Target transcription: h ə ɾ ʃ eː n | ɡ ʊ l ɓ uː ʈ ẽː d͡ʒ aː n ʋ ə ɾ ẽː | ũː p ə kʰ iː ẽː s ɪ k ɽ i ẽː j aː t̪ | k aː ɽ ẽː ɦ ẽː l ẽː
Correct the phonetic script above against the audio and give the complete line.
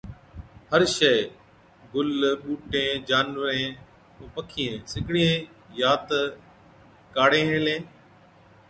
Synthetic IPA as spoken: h ə ɾ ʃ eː | ɡ ʊ l ɓ uː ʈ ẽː d͡ʒ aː n ʋ ə ɾ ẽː | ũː p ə kʰ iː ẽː s ɪ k ɽ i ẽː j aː t̪ | k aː ɽ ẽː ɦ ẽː l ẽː